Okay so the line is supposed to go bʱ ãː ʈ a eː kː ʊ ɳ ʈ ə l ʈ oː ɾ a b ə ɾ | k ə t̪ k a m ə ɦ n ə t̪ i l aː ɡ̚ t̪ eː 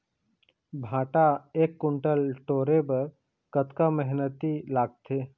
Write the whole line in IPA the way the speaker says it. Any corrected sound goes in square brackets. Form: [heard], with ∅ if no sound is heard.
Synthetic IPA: bʱ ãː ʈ a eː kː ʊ ɳ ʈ ə l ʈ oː ɾ [e] b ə ɾ | k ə t̪ k a m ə ɦ n ə t̪ i l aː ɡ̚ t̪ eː